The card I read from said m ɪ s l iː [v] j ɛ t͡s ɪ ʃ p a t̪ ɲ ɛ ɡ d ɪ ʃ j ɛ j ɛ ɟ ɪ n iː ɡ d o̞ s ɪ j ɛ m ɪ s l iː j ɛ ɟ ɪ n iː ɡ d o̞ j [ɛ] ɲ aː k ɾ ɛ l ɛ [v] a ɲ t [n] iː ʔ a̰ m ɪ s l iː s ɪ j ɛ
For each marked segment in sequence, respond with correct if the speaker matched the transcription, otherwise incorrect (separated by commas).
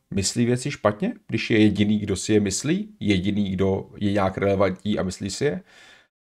correct, correct, correct, incorrect